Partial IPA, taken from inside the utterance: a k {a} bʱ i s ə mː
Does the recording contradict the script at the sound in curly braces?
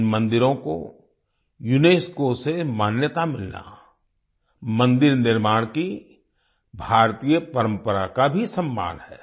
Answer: no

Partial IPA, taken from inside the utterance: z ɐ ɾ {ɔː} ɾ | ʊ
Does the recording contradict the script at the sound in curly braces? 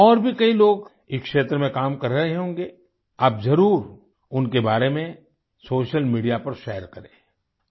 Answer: yes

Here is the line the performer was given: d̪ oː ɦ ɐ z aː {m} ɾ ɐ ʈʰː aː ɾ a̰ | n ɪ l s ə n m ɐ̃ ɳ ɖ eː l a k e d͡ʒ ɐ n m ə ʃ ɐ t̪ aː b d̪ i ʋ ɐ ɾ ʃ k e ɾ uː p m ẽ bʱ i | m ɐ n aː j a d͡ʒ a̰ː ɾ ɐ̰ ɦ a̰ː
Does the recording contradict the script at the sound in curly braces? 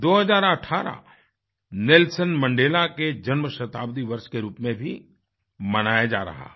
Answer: yes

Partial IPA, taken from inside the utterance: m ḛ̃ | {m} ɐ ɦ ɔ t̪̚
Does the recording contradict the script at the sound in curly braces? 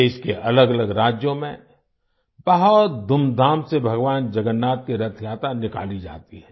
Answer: yes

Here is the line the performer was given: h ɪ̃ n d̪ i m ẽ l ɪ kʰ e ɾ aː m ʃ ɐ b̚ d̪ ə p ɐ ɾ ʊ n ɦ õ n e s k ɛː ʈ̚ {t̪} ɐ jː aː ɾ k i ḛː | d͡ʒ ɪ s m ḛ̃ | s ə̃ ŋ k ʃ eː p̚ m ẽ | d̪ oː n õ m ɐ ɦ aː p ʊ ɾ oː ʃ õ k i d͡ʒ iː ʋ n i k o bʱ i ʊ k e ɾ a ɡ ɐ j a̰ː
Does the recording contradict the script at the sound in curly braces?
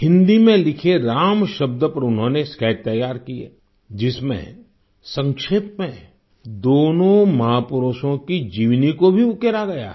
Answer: no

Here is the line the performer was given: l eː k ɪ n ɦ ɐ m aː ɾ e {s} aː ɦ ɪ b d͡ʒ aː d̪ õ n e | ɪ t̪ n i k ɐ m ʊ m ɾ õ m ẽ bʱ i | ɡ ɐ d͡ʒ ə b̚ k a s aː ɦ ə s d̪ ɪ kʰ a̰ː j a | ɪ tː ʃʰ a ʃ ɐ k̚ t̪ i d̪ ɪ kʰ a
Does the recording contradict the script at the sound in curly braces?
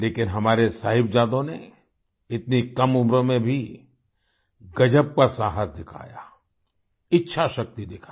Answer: no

